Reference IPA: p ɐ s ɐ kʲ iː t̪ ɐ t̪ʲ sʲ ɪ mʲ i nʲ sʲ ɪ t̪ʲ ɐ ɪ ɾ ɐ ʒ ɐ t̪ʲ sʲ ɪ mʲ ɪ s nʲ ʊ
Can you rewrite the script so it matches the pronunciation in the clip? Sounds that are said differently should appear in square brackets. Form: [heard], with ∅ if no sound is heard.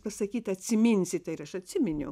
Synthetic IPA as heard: p ɐ s ɐ kʲ iː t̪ ɐ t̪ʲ sʲ ɪ mʲ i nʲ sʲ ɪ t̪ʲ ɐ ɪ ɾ ɐ [ʃ] ɐ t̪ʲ sʲ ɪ mʲ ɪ [∅] nʲ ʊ